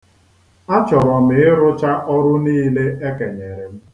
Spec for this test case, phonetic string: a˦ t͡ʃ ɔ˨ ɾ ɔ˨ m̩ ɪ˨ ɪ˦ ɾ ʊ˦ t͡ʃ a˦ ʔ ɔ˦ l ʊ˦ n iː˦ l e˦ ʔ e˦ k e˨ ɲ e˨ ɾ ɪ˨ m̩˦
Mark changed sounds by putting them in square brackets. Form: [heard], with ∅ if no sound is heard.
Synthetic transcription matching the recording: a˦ t͡ʃ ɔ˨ ɾ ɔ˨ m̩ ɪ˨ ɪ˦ ɾ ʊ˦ t͡ʃ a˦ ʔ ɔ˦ [ɾ] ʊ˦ n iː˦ l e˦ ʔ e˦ k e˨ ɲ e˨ ɾ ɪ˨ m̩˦